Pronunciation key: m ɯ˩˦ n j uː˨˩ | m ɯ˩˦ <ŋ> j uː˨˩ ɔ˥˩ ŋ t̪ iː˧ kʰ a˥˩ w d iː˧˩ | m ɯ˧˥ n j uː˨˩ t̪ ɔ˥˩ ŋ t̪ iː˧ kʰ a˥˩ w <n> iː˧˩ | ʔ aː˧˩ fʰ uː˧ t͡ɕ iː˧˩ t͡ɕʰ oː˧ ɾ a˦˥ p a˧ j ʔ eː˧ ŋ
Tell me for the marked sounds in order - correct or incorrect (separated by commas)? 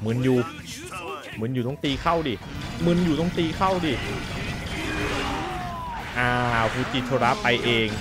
incorrect, incorrect